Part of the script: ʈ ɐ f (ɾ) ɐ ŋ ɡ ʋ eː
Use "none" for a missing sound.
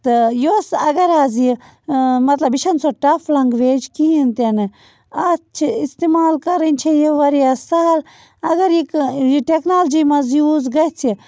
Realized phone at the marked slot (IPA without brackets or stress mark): l